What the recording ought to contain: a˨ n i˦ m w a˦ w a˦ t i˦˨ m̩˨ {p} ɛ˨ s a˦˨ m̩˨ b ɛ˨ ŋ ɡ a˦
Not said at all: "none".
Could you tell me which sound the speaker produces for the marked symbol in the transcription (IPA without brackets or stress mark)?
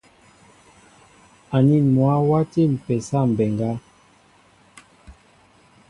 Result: p